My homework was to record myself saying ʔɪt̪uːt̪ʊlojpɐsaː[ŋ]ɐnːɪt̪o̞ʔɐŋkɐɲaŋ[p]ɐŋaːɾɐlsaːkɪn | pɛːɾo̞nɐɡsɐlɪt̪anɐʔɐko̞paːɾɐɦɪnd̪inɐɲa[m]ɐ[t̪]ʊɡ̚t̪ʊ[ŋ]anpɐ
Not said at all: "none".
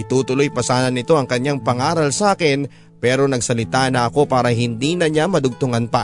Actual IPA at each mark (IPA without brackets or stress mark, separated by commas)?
n, p, m, d̪, ŋ